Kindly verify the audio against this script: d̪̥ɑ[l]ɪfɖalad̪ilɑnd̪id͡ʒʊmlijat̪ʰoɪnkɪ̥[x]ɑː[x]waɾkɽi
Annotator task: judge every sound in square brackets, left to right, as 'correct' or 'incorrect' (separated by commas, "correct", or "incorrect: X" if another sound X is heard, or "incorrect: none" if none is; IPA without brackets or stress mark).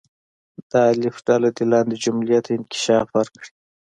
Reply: correct, incorrect: ʃ, incorrect: f